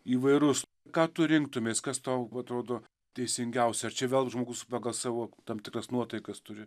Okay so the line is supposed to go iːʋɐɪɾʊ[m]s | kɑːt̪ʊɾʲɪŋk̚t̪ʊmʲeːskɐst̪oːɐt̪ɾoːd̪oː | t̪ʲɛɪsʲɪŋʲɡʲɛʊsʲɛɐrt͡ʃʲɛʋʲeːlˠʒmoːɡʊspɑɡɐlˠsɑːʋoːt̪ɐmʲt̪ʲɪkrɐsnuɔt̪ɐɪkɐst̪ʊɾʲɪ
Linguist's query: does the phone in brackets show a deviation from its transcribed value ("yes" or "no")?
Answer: yes